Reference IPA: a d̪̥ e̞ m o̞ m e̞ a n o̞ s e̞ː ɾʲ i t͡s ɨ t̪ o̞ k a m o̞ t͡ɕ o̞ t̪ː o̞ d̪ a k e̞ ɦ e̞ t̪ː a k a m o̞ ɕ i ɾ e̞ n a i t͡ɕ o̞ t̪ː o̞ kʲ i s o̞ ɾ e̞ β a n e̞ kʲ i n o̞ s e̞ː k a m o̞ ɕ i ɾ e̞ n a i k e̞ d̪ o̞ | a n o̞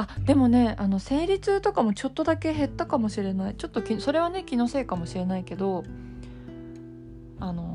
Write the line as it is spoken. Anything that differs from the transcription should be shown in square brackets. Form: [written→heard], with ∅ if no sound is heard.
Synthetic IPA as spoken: a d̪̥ e̞ m o̞ [m→n] e̞ a n o̞ s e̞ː ɾʲ i t͡s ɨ t̪ o̞ k a m o̞ t͡ɕ o̞ t̪ː o̞ d̪ a k e̞ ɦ e̞ t̪ː a k a m o̞ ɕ i ɾ e̞ n a i t͡ɕ o̞ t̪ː o̞ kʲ i s o̞ ɾ e̞ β a n e̞ kʲ i n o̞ s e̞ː k a m o̞ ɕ i ɾ e̞ n a i k e̞ d̪ o̞ | a n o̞